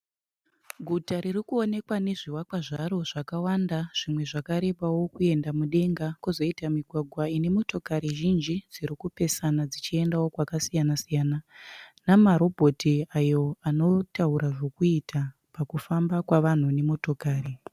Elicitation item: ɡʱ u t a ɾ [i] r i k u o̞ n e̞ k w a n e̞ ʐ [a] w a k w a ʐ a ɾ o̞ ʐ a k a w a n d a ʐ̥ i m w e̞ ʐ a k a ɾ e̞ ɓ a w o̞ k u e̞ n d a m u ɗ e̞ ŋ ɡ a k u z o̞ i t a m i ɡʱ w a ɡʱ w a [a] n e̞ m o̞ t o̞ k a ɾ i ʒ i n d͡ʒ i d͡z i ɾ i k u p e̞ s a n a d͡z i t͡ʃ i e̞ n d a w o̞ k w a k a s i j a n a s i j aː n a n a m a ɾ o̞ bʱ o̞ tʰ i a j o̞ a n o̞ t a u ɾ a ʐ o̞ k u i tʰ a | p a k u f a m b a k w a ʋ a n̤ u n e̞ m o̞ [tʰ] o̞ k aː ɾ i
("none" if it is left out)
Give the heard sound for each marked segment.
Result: i, i, i, t

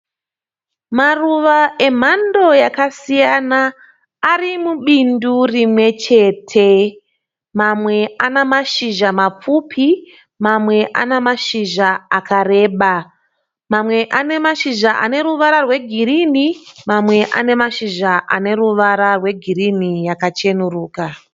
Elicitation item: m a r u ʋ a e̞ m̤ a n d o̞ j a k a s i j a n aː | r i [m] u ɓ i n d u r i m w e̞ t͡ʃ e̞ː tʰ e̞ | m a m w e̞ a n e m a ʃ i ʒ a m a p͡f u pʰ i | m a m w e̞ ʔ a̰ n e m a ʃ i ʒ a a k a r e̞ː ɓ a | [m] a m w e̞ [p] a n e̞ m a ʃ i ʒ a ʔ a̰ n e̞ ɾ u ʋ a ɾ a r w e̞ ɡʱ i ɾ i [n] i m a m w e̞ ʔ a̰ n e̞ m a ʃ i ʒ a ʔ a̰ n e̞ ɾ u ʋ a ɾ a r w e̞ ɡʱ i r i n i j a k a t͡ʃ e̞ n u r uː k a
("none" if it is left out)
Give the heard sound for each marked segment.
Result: m, m, ʔ, n

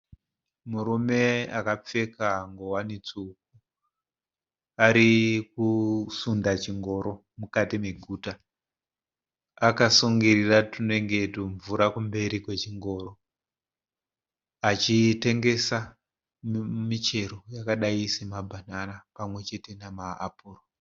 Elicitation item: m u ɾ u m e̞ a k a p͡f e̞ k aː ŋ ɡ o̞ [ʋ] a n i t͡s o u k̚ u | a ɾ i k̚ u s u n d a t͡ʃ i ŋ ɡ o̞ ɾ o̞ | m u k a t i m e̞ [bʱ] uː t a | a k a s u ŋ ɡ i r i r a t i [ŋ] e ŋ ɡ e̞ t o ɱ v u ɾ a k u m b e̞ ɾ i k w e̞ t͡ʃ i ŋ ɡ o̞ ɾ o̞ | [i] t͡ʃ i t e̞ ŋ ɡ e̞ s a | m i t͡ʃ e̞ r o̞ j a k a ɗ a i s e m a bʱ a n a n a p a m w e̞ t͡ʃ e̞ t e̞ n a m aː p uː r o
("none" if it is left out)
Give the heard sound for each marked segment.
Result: w, ɡʱ, n, a

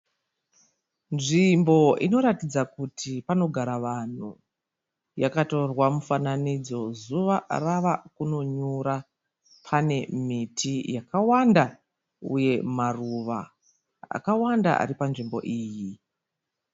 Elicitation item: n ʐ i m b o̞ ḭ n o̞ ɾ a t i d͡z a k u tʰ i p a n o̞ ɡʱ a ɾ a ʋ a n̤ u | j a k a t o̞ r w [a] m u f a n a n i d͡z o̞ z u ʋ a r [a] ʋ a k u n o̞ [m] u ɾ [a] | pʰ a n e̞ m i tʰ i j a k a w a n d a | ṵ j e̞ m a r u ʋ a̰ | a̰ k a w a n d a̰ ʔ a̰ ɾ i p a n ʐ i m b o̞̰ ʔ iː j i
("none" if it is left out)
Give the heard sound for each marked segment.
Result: a, a, ɲ, a

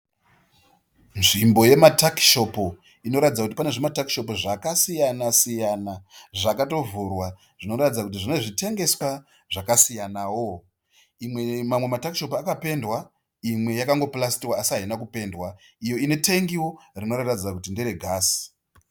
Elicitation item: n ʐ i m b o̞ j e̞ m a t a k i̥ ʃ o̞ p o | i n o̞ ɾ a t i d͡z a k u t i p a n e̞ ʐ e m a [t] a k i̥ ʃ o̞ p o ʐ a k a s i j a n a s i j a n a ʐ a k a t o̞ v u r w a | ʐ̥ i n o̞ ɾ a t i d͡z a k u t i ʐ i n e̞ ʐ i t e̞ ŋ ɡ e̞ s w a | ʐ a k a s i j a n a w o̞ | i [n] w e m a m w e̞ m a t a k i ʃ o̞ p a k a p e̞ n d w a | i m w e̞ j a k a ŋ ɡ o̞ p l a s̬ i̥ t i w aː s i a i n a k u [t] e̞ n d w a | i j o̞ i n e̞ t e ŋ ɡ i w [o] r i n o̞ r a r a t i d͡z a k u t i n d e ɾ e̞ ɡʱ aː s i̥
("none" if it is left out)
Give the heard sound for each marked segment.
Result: t, m, p, o

